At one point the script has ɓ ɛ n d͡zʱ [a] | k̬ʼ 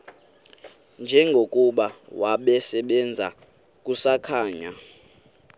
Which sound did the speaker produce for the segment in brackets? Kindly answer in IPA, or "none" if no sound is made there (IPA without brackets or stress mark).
a